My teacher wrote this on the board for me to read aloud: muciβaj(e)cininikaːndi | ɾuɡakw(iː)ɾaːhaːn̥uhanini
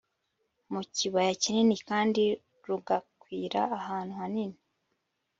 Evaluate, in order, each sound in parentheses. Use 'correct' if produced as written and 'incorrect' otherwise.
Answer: incorrect, correct

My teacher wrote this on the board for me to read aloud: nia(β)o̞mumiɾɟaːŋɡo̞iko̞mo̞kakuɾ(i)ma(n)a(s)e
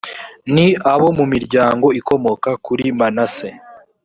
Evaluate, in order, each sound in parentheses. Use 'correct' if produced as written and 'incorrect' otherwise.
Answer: correct, correct, correct, correct

